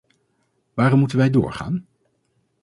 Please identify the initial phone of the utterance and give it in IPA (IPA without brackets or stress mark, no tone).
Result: ʋ